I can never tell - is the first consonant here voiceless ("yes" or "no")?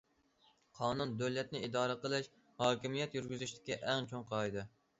yes